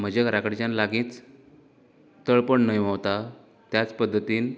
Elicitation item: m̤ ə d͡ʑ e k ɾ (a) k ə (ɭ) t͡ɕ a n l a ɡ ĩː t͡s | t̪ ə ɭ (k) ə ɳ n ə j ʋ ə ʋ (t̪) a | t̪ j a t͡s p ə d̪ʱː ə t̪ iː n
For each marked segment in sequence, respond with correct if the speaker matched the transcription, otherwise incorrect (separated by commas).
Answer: correct, incorrect, incorrect, correct